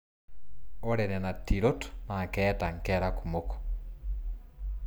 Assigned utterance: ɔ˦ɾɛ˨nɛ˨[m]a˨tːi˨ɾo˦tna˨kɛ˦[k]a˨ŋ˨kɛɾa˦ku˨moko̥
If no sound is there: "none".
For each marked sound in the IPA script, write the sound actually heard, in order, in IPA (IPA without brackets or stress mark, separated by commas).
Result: n, t